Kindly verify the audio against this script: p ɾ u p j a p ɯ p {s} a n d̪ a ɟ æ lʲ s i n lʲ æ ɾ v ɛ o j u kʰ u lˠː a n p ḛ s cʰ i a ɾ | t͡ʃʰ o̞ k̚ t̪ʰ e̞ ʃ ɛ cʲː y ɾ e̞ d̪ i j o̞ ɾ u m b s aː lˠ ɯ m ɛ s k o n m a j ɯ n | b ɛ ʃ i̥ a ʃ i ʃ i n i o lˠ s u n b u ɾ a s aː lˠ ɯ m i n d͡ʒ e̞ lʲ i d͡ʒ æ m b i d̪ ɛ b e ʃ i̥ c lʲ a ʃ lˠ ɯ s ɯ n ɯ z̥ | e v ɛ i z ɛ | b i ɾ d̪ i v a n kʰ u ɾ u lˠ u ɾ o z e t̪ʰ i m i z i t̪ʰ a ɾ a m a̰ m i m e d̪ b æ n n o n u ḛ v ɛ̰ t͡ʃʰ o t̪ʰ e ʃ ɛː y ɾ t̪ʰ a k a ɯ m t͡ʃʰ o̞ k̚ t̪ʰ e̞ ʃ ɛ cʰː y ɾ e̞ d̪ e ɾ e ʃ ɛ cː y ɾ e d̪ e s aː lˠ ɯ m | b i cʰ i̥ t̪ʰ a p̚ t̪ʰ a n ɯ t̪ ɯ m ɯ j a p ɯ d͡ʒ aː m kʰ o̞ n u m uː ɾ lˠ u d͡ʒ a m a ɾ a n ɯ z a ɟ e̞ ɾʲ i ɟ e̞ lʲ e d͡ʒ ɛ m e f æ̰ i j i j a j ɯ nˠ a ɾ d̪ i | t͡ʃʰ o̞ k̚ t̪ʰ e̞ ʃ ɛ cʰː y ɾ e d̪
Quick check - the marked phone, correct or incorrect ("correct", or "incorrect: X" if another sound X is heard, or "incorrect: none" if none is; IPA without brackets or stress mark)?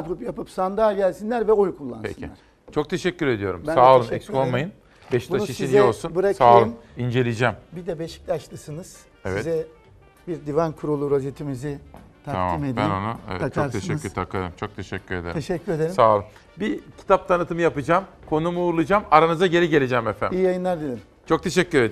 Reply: correct